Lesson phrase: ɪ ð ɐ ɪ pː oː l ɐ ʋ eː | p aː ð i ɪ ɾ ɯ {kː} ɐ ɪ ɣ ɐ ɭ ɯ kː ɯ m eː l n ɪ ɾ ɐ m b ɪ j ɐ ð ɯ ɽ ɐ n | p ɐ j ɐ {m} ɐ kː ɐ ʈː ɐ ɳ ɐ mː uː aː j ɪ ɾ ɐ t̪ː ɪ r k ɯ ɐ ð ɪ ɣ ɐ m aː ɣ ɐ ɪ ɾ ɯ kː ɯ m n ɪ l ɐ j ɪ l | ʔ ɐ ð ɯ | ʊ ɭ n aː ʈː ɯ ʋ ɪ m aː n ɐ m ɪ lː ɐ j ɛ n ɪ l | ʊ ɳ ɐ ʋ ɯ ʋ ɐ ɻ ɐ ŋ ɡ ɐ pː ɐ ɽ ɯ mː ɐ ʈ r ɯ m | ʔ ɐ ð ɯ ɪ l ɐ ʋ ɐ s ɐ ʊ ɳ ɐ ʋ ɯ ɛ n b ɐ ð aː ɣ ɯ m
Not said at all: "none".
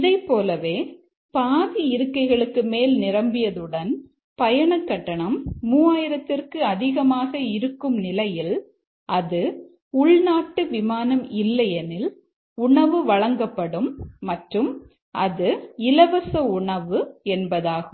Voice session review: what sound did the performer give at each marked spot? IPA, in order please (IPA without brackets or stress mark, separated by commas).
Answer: kː, ɳ